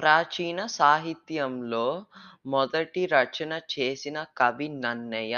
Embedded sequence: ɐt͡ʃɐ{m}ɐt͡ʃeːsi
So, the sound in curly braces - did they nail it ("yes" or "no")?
no